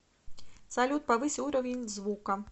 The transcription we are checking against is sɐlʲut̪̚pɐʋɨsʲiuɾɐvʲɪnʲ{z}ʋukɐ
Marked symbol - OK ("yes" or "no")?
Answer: yes